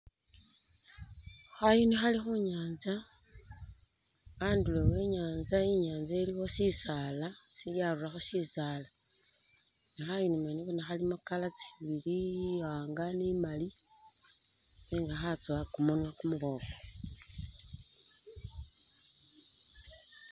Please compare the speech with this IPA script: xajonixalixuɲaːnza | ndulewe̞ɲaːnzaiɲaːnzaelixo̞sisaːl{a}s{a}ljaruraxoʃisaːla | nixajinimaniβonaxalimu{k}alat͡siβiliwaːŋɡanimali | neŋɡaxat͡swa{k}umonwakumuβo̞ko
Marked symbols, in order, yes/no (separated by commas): yes, no, yes, yes